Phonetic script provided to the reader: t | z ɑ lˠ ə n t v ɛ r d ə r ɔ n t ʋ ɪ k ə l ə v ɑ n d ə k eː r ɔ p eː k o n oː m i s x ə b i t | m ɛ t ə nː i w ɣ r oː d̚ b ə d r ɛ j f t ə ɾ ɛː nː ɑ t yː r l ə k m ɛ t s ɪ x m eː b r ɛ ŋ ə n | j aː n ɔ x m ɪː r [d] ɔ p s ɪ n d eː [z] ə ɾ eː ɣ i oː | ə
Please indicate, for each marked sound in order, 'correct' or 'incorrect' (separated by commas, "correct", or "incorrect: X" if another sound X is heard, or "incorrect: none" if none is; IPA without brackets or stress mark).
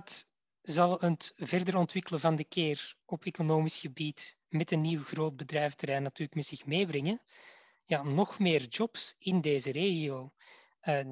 incorrect: d͡ʒ, correct